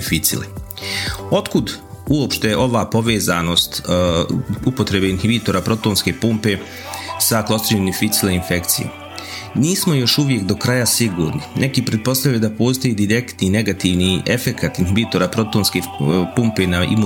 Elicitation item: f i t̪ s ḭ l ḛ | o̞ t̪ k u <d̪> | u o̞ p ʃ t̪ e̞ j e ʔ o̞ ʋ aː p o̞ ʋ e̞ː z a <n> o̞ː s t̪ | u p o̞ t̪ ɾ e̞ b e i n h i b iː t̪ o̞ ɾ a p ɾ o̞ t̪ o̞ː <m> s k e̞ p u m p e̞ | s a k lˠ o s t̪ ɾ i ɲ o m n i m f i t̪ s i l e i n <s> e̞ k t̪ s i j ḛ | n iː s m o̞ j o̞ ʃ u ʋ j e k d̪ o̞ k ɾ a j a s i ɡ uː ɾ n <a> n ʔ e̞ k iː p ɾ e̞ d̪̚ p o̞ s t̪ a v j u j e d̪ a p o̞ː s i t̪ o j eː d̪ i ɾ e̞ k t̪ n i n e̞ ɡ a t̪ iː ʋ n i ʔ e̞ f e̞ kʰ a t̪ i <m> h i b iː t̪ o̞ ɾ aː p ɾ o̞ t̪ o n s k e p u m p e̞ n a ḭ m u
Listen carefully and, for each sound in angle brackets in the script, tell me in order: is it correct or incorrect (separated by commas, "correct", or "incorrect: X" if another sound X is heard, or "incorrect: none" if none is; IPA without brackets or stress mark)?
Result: correct, correct, incorrect: n, incorrect: f, incorrect: i, incorrect: n